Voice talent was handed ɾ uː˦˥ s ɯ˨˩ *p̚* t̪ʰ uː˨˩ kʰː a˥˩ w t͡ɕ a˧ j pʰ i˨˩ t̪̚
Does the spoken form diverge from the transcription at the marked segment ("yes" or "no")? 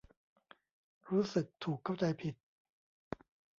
yes